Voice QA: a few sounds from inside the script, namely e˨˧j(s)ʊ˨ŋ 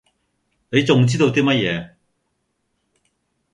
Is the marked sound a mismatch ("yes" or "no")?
yes